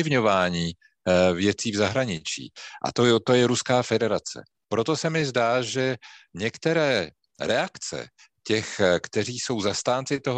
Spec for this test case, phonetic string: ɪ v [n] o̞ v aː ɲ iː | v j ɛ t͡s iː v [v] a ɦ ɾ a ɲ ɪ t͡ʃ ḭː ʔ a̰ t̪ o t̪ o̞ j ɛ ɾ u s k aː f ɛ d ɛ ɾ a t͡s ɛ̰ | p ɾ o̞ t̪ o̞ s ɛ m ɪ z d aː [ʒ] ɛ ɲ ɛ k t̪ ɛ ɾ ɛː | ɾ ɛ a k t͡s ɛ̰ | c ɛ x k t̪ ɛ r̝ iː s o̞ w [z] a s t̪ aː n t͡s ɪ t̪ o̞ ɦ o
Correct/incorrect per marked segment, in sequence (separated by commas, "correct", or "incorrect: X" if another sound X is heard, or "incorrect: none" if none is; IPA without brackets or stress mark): incorrect: ɲ, incorrect: z, correct, correct